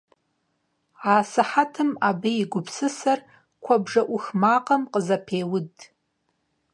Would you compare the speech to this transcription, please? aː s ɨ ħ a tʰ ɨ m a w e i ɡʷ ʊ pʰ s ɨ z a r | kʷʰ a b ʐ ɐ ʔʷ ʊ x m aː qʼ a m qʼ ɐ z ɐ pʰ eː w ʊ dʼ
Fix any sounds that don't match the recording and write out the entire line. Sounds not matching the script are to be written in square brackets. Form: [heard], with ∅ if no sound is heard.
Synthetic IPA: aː s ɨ ħ a tʰ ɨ m a [b] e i ɡʷ ʊ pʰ s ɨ [s] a r | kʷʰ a b ʐ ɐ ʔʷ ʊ x m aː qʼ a m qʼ [ə] z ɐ pʰ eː w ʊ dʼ

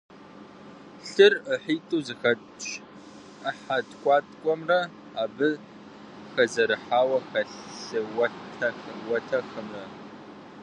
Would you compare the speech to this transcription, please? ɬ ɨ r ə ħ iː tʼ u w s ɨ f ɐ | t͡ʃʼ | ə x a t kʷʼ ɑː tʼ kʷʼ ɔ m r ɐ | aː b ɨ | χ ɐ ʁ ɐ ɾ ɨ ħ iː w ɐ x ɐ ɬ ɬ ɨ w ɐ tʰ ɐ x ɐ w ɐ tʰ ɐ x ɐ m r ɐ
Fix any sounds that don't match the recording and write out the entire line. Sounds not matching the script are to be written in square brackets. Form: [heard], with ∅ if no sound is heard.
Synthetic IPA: ɬ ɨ r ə ħ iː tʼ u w [z] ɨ [x] ɐ | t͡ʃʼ | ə [ħ] a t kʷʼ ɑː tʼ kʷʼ ɔ m r ɐ | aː b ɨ | [x] ɐ [z] ɐ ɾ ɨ ħ [aː] w ɐ x ɐ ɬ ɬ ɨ w ɐ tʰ ɐ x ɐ w ɐ tʰ ɐ x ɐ m r ɐ

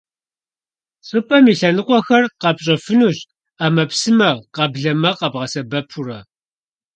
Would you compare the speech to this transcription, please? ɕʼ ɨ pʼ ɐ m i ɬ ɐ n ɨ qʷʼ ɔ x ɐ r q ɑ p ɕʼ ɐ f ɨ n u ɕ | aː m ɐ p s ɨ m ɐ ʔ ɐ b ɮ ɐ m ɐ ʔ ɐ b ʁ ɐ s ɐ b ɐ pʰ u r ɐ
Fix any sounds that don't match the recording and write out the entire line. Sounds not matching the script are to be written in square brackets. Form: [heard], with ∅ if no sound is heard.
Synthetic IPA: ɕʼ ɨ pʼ ɐ m i ɬ ɐ n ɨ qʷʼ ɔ x ɐ r q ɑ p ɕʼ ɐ f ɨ n u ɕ | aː m ɐ p s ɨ m ɐ [q] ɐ b ɮ ɐ m ɐ [q] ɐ b ʁ ɐ s ɐ b ɐ pʰ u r ɐ

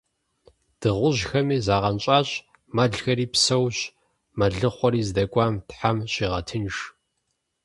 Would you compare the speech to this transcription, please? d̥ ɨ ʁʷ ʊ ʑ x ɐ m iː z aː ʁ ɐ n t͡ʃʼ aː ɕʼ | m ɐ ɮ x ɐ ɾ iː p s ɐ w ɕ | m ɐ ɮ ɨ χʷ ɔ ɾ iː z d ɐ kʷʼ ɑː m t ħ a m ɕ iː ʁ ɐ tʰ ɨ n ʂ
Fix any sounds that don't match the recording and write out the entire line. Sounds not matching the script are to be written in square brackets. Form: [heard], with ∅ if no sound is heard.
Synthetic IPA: d̥ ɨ ʁʷ ʊ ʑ x ɐ m iː z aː ʁ ɐ n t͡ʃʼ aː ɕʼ | m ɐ ɮ x ɐ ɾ iː p s ɐ w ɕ | m ɐ ɮ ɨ χʷ ɔ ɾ iː z d ɐ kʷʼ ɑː m t ħ a m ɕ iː ʁ ɐ tʰ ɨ n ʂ

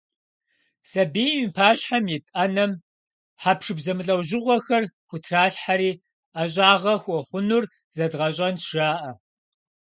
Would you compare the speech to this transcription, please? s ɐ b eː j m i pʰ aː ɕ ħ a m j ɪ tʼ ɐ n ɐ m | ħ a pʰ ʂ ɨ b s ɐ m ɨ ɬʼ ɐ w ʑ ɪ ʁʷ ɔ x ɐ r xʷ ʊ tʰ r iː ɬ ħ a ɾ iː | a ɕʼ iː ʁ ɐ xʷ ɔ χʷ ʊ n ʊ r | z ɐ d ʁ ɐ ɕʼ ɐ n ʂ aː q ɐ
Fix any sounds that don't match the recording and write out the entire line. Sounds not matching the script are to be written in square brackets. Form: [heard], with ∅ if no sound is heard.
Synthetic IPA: s ɐ b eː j m i pʰ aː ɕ ħ a m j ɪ tʼ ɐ n ɐ m | ħ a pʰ ʂ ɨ b [z] ɐ m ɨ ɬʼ ɐ w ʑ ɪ ʁʷ ɔ x ɐ r xʷ ʊ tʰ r [aː] ɬ ħ a ɾ iː | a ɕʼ [aː] ʁ ɐ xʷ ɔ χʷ ʊ n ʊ r | z ɐ d ʁ ɐ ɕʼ ɐ n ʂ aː [ʔ] ɐ

